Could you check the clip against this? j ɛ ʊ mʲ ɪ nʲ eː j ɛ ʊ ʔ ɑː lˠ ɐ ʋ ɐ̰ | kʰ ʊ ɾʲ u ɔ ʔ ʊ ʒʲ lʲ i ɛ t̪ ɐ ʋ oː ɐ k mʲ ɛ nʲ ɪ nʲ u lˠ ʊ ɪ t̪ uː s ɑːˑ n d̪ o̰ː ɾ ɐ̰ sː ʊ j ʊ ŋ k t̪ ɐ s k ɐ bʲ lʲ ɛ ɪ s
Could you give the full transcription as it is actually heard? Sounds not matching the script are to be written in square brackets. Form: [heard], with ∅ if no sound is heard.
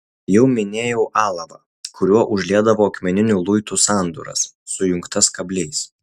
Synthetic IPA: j ɛ ʊ mʲ ɪ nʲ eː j ɛ ʊ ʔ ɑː lˠ ɐ ʋ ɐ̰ | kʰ ʊ ɾʲ u ɔ ʔ ʊ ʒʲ lʲ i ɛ [d̪] ɐ ʋ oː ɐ k mʲ ɛ nʲ ɪ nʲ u lˠ ʊ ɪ t̪ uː s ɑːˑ n d̪ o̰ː ɾ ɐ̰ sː ʊ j ʊ ŋ k t̪ ɐ s k ɐ bʲ lʲ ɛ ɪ s